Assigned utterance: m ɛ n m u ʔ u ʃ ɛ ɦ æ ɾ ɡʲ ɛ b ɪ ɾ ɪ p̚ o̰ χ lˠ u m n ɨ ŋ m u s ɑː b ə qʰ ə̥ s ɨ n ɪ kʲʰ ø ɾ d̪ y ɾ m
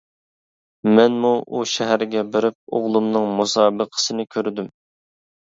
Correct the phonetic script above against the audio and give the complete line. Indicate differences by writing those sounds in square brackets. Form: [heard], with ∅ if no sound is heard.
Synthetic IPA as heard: m ɛ n m u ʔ u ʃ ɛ ɦ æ ɾ ɡʲ ɛ b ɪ ɾ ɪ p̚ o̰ [ʁ] lˠ u m n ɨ ŋ m u s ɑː b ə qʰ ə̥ s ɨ n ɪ kʲʰ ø ɾ d̪ y [∅] m